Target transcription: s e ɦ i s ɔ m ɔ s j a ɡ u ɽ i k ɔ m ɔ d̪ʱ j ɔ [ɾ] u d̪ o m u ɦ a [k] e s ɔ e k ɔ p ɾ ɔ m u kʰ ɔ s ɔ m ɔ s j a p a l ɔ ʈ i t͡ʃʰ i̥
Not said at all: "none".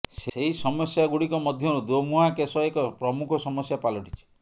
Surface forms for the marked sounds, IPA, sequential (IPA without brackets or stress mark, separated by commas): ɾ, k